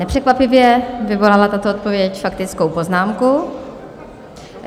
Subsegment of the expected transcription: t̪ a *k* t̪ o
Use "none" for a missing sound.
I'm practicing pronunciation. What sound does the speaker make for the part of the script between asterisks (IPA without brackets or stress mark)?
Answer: none